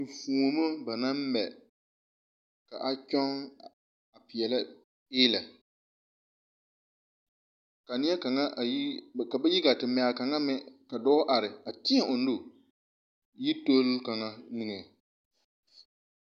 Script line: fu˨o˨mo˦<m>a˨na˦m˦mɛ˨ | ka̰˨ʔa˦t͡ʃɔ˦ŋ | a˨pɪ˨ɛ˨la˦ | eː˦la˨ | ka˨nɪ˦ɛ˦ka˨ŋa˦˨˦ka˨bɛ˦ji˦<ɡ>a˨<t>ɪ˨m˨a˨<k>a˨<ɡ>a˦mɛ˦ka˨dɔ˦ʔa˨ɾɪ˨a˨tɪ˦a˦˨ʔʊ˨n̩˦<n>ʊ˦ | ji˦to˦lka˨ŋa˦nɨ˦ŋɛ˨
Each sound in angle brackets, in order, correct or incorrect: incorrect: b, correct, correct, correct, incorrect: ŋ, incorrect: d

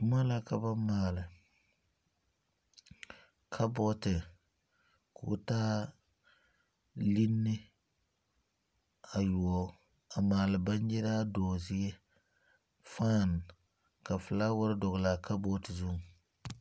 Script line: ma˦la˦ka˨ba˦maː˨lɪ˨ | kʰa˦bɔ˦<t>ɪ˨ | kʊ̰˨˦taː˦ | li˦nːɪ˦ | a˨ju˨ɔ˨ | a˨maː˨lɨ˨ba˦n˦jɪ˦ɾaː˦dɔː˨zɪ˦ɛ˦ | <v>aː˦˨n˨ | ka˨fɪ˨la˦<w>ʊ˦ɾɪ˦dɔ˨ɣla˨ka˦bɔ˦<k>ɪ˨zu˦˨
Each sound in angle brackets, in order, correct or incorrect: correct, incorrect: f, correct, incorrect: t

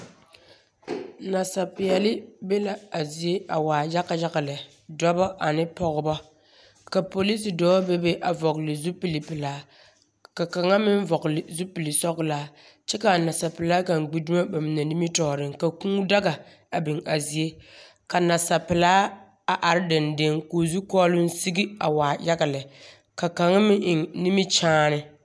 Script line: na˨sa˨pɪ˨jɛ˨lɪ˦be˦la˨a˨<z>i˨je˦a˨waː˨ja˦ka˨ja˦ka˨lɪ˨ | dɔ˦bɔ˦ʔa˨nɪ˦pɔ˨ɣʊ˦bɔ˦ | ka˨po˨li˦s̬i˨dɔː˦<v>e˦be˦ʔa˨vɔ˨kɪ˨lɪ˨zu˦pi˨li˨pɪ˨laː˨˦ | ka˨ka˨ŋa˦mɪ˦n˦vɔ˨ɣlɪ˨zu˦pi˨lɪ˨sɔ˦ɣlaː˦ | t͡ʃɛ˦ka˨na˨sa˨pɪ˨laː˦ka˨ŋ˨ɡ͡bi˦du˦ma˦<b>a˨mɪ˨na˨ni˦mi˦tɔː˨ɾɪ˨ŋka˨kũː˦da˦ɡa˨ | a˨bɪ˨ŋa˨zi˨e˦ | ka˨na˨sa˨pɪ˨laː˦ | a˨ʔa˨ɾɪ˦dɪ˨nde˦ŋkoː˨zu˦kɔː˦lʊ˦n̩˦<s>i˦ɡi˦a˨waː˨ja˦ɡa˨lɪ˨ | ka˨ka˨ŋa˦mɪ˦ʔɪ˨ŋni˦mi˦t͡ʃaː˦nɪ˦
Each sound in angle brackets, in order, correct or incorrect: correct, incorrect: b, correct, correct

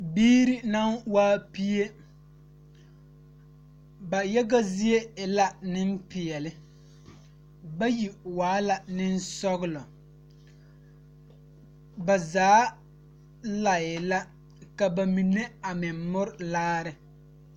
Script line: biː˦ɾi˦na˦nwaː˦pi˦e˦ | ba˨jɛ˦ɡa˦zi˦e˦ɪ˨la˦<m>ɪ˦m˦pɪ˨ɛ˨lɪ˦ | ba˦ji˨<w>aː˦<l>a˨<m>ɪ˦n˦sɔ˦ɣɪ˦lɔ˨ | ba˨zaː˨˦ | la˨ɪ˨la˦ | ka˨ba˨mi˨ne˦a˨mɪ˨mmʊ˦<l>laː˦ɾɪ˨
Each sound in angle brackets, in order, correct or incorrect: incorrect: n, correct, correct, incorrect: n, incorrect: ɾ

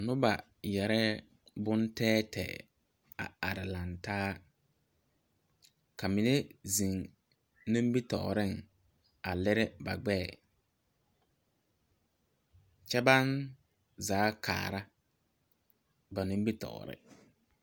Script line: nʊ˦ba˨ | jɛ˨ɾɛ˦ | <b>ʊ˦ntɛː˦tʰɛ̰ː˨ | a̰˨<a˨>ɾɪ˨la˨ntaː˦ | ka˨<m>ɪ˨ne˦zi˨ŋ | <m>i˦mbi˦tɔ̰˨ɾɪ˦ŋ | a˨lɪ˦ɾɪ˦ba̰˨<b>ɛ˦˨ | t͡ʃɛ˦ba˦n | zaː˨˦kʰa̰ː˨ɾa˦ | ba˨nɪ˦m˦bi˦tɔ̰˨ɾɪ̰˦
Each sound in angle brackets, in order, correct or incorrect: correct, correct, correct, incorrect: n, incorrect: ɡ͡b

